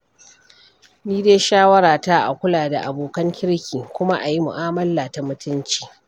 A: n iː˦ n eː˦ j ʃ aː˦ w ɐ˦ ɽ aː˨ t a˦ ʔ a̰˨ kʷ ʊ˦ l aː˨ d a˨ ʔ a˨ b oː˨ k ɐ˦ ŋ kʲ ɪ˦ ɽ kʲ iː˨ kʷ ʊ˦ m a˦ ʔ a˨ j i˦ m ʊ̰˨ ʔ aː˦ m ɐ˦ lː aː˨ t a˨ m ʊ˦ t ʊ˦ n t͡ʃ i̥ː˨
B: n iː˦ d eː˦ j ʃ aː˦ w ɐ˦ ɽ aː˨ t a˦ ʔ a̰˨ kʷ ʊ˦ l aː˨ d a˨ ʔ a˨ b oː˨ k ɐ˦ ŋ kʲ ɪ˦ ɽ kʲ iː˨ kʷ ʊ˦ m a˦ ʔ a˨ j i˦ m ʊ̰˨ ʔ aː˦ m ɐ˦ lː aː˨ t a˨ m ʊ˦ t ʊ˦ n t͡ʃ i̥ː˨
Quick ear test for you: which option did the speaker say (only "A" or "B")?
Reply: B